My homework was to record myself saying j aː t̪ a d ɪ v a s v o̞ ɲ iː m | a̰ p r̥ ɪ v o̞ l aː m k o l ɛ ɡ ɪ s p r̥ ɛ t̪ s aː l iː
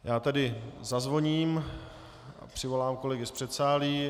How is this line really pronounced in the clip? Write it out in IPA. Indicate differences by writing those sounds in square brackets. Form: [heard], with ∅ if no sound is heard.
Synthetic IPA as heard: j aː t̪ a d ɪ [z] a [z] v o̞ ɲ iː m | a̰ p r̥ ɪ v o̞ l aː m k o l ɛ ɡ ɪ s p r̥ ɛ t̪ s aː l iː